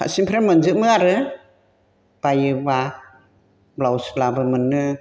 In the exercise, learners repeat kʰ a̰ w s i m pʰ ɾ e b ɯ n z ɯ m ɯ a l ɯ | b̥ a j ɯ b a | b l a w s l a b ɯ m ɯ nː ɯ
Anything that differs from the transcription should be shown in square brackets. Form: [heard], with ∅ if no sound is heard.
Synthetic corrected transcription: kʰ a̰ [∅] s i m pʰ ɾ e [m] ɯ n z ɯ m ɯ a [ɾ] ɯ | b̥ a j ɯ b a | b l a w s l a b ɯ m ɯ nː ɯ